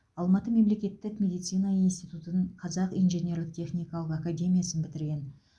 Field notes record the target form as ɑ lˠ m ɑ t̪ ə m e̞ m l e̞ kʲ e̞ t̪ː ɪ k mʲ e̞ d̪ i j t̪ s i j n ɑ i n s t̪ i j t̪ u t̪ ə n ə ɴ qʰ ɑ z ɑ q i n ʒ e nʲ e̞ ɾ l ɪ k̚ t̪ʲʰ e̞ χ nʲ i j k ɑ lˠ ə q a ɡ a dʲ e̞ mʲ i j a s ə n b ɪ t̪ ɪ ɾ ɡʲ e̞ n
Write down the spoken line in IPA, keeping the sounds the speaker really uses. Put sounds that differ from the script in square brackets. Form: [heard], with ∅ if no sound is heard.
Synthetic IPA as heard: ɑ lˠ m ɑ t̪ ə m e̞ m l e̞ kʲ e̞ t̪ː ɪ k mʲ e̞ d̪ i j t̪ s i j n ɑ i n s t̪ i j t̪ u t̪ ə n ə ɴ qʰ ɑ z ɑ q i n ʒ e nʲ e̞ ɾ l ɪ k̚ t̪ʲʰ e̞ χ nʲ i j k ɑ lˠ ə q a [k] a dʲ e̞ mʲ i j a s ə n b ɪ t̪ ɪ ɾ ɡʲ e̞ n